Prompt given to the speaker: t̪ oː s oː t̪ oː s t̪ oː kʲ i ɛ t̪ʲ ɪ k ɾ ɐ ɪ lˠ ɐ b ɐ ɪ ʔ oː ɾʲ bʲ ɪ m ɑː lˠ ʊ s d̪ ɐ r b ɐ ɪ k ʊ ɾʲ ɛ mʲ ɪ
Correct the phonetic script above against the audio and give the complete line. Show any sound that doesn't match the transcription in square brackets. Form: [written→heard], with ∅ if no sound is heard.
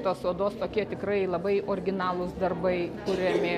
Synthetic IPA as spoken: t̪ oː s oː [t̪→d̪] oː s t̪ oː kʲ i ɛ t̪ʲ ɪ k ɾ ɐ ɪ lˠ ɐ b ɐ ɪ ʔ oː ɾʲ [bʲ→ɡʲ] ɪ [m→n] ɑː lˠ ʊ s d̪ ɐ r b ɐ ɪ k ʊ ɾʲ ɛ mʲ ɪ